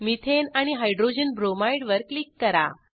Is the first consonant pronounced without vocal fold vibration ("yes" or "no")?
no